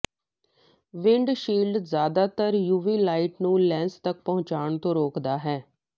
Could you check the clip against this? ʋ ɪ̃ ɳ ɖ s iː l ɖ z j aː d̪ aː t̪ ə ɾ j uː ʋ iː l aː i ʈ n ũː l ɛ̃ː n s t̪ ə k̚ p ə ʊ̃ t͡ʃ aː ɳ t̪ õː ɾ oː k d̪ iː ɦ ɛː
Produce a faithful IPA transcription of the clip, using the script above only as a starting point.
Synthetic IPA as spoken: ʋ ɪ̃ ɳ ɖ ʃ iː l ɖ z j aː d̪ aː t̪ ə ɾ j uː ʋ iː l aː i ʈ n ũː l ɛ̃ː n s t̪ ə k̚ p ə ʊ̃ t͡ʃ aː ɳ t̪ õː ɾ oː k d̪ aː ɦ ɛː

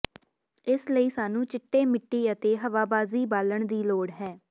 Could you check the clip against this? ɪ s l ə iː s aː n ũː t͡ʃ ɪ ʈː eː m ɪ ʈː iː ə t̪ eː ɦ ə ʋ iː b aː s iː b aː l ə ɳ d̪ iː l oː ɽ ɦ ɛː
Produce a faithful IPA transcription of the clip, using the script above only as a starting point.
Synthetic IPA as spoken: ɪ s l ə iː s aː n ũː t͡ʃ ɪ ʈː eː m ɪ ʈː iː ə t̪ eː ɦ ə ʋ aː b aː z iː b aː l ə ɳ d̪ iː l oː ɽ ɦ ɛː

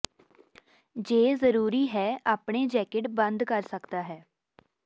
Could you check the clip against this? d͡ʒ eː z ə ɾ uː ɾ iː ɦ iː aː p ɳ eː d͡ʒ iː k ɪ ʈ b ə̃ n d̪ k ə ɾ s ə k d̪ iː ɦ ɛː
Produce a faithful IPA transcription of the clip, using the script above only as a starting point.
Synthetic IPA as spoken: d͡ʒ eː z ə ɾ uː ɾ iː ɦ ɛː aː p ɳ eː d͡ʒ ɛː k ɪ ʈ b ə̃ n d̪ k ə ɾ s ə k d̪ aː ɦ ɛː

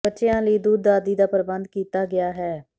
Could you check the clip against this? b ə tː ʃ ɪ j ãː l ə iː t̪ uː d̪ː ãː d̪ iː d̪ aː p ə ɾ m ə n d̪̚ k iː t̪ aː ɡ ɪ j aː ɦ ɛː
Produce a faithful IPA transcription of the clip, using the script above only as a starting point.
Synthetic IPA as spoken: b ə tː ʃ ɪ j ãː l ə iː d̪ uː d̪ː aː d̪ iː d̪ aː p ə ɾ b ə n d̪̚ k iː t̪ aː ɡ ɪ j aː ɦ ɛː

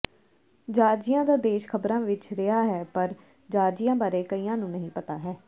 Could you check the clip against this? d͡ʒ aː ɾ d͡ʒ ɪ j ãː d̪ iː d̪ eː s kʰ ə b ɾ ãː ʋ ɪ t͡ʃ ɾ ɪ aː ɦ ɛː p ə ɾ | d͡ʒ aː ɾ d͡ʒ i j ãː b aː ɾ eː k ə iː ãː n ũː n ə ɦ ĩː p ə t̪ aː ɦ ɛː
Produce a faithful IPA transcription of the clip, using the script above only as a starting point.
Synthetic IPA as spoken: d͡ʒ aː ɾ d͡ʒ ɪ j ãː d̪ aː d̪ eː ʃ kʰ ə b ɾ ãː ʋ ɪ t͡ʃ ɾ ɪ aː ɦ ɛː p ə ɾ | d͡ʒ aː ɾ d͡ʒ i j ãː b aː ɾ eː k ə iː ãː n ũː n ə ɦ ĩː p ə t̪ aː ɦ ɛː

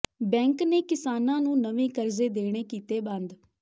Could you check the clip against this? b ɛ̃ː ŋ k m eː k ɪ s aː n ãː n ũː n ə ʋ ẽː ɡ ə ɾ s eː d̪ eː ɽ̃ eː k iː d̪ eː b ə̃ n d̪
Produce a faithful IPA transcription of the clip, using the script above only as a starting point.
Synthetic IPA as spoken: b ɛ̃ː ŋ k n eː k ɪ s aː n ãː n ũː n ə ʋ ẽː k ə ɾ z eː d̪ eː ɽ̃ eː k iː t̪ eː b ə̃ n d̪

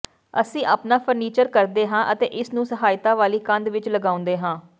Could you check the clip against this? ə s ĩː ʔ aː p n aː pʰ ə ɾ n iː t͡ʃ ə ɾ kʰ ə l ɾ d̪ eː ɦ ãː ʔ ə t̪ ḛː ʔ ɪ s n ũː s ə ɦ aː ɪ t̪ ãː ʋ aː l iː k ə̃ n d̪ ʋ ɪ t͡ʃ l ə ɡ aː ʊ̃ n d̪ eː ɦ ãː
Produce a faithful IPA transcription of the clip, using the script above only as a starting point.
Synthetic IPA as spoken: ə s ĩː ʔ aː p n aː pʰ ə ɾ n iː t͡ʃ ə ɾ k ə ɾ d̪ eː ɦ ãː ʔ ə t̪ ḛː ʔ ɪ s n ũː s ə ɦ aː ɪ t̪ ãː ʋ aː l iː k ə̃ n d̪ ʋ ɪ t͡ʃ l ə ɡ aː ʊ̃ n d̪ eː ɦ ãː

